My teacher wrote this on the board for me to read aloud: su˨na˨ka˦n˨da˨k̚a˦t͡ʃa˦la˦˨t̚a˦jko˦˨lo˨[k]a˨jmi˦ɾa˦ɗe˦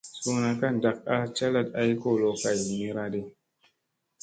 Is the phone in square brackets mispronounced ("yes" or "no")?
no